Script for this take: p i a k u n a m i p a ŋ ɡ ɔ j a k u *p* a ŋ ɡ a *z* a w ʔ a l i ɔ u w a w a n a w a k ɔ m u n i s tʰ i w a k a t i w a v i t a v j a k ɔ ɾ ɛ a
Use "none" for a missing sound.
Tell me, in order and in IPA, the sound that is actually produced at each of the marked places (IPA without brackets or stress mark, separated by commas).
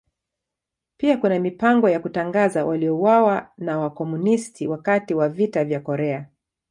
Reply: t, z